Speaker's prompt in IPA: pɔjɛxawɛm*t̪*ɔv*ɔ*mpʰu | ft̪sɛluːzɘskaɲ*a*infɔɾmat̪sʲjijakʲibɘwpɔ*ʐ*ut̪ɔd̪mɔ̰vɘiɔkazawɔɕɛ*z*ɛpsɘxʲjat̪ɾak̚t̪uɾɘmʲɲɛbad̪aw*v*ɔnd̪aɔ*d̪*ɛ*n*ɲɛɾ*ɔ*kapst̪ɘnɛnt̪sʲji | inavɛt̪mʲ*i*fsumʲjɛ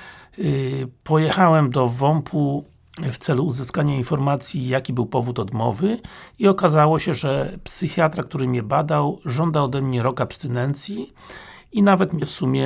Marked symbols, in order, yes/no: no, yes, yes, no, no, no, yes, no, yes, no

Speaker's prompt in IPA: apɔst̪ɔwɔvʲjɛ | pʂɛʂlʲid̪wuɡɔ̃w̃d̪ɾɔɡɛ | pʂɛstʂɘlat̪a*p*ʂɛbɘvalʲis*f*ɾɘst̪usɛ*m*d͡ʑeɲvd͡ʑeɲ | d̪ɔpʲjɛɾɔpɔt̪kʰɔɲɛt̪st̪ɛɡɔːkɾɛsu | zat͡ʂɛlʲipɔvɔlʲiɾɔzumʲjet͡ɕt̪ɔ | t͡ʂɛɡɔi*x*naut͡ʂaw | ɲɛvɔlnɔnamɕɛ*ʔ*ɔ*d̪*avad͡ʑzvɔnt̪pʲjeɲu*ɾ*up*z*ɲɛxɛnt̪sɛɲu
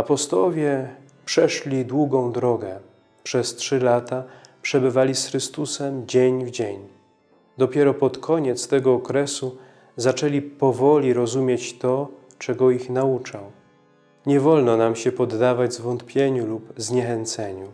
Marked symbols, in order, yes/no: yes, no, yes, yes, no, no, no, yes

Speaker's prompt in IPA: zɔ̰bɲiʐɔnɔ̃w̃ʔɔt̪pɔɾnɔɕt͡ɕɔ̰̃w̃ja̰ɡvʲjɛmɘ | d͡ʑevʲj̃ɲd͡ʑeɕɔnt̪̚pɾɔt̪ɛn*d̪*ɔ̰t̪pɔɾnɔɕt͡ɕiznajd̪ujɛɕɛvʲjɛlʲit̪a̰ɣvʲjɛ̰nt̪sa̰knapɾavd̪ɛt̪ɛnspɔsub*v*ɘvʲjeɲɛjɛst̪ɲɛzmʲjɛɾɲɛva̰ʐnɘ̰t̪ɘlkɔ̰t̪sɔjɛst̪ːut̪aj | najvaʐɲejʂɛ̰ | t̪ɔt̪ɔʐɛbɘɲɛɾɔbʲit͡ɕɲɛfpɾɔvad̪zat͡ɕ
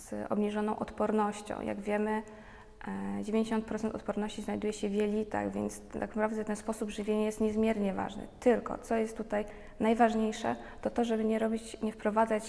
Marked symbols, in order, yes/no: no, no

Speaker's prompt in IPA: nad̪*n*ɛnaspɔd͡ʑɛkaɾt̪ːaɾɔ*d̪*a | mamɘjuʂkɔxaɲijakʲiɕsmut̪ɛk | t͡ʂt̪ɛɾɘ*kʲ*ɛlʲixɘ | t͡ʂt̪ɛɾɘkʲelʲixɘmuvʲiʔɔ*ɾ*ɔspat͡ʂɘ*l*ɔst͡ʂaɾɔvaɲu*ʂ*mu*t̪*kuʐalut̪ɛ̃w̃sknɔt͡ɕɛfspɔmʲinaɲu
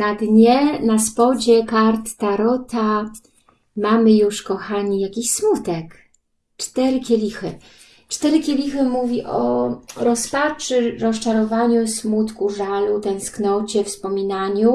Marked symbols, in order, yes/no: no, no, yes, yes, no, no, yes

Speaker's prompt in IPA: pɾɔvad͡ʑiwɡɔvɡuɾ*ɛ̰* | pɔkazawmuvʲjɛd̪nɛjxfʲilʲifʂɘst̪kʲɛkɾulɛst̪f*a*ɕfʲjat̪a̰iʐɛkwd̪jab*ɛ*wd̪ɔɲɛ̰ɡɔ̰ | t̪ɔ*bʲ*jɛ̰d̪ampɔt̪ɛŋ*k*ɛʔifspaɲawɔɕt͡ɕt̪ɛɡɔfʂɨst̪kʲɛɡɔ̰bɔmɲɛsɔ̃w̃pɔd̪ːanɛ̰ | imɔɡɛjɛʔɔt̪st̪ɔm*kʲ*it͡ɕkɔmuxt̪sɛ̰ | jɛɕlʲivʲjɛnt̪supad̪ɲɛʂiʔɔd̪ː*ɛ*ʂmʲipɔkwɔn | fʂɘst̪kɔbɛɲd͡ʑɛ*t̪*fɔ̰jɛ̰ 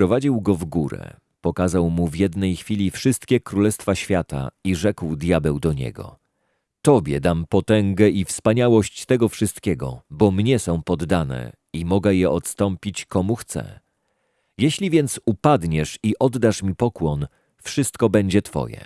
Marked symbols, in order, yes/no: yes, yes, yes, yes, no, no, no, yes

